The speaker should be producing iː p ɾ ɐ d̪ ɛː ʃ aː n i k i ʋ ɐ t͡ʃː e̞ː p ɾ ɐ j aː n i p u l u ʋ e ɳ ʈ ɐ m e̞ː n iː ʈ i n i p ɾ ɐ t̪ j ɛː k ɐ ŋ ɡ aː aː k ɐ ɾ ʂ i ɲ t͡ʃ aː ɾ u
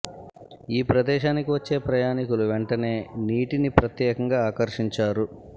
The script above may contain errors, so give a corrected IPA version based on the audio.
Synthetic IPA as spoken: iː p ɾ ɐ d̪ ɛː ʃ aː n i k i ʋ ɐ t͡ʃː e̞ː p ɾ ɐ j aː n i k u l u ʋ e ɳ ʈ ɐ n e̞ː n iː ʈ i n i p ɾ ɐ t̪ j ɛː k ɐ ŋ ɡ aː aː k ɐ ɾ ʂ i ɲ t͡ʃ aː ɾ u

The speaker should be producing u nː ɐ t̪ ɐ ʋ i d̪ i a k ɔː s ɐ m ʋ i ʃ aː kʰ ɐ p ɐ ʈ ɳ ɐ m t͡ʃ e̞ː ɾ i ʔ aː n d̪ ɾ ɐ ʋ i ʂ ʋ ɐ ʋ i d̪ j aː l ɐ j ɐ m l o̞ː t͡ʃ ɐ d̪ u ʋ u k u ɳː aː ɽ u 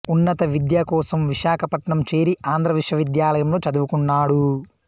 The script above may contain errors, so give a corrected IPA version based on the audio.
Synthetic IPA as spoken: u nː ɐ t̪ ɐ ʋ i d̪ j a k ɔː s ɐ m ʋ i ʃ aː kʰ ɐ p ɐ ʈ ɳ ɐ m t͡ʃ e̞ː ɾ i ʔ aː n d̪ ɾ ɐ ʋ i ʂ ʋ ɐ ʋ i d̪ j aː l ɐ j ɐ m l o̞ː t͡ʃ ɐ d̪ u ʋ u k u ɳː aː ɽ u

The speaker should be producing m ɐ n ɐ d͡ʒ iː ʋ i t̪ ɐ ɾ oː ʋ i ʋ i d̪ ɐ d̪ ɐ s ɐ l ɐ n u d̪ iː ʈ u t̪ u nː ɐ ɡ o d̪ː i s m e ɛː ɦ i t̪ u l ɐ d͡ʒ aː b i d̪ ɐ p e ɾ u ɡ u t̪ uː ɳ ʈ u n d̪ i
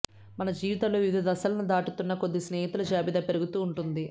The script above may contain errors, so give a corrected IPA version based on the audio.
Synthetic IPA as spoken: m ɐ n ɐ d͡ʒ iː ʋ i t̪ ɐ l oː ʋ i ʋ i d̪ ɐ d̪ ɐ s ɐ l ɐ n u d̪ aː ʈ u t̪ u nː ɐ k o d̪ː i s n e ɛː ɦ i t̪ u l ɐ d͡ʒ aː b i d̪ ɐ p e ɾ u ɡ u t̪ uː ɳ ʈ u n d̪ i

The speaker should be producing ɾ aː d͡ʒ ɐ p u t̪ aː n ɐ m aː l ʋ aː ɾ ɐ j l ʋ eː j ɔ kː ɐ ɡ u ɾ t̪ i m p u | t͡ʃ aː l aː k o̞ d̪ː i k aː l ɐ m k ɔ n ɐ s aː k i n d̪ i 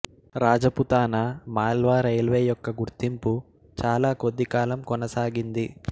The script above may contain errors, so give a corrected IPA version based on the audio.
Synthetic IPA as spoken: ɾ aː d͡ʒ ɐ p u t̪ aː n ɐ m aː l ʋ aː ɾ ɐ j l ʋ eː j ɔ kː ɐ ɡ u ɾ t̪ i m p u | t͡ʃ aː l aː k o̞ d̪ː i k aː l ɐ m k ɔ n ɐ s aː ɡ i n d̪ i

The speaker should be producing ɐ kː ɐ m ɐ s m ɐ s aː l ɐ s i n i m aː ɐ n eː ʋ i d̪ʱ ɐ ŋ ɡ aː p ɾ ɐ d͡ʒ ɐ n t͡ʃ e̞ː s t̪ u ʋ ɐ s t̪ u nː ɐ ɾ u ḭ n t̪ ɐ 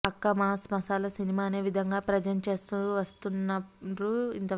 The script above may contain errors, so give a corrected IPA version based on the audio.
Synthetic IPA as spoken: ɐ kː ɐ m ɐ s m ɐ s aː l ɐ s i n i m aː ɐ n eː ʋ i d̪ʱ ɐ ŋ ɡ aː p ɾ ɐ d͡ʒ ɐ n t͡ʃ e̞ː s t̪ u ʋ ɐ s t̪ u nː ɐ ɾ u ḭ n t̪ ɐ

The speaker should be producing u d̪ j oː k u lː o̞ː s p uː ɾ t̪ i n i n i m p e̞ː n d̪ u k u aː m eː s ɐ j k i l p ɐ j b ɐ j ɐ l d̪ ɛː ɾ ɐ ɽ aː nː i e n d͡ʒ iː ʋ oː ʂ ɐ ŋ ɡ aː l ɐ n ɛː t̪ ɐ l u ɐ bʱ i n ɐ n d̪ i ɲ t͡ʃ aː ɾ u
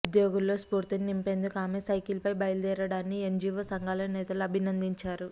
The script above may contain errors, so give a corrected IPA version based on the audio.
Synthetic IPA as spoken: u d̪ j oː ɡ u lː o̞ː s p uː ɾ t̪ i n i n i m p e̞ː n d̪ u k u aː m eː s ɐ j k i l p ɐ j b ɐ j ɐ l d̪ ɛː ɾ ɐ ɽ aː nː i e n d͡ʒ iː ʋ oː s ɐ ŋ ɡ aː l ɐ n ɛː t̪ ɐ l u ɐ bʱ i n ɐ n d̪ i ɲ t͡ʃ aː ɾ u

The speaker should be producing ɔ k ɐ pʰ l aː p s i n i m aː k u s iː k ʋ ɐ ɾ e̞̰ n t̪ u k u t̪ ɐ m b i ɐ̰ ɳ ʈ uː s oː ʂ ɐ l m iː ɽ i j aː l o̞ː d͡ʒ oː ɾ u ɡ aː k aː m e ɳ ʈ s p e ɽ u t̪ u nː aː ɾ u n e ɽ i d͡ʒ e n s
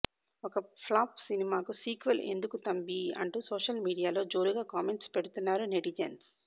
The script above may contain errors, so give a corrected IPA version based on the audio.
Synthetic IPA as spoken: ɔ k ɐ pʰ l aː p s i n i m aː k u s iː k ʋ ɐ l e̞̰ n d̪ u k u t̪ ɐ m b i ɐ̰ ɳ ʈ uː s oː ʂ ɐ l m iː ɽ i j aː l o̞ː d͡ʒ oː ɾ u ɡ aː k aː m e ɳ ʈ s p e ɽ u t̪ u nː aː ɾ u n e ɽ i d͡ʒ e n s

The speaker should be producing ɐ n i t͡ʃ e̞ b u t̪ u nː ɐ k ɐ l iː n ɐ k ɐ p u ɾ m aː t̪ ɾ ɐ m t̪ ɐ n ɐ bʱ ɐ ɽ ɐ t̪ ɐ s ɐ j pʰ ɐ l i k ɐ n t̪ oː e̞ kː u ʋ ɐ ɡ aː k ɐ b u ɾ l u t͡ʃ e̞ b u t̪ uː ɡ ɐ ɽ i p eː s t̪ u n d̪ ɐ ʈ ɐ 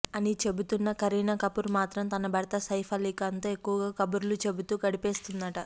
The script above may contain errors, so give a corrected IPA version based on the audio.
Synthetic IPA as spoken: ɐ n i t͡ʃ e̞ b u t̪ u nː ɐ k ɐ ɾ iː n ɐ k ɐ p u ɾ m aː t̪ ɾ ɐ m t̪ ɐ n ɐ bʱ ɐ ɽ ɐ t̪ ɐ s ɐ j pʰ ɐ l i k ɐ n t̪ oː e̞ kː u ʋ ɐ ɡ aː k ɐ b u ɾ l u t͡ʃ e̞ b u t̪ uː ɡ ɐ ɽ i p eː s t̪ u n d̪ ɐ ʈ ɐ

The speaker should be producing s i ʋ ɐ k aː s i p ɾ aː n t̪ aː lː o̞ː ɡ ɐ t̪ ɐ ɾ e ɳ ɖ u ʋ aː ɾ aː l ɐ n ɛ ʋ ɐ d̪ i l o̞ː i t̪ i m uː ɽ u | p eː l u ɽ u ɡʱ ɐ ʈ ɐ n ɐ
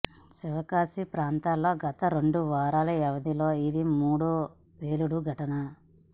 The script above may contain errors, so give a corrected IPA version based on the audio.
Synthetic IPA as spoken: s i ʋ ɐ k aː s i p ɾ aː n t̪ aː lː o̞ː ɡ ɐ t̪ ɐ ɾ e ɳ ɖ u ʋ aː ɾ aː l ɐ ɛ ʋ ɐ d̪ i l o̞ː i d̪ i m uː ɽ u | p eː l u ɽ u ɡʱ ɐ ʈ ɐ n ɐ

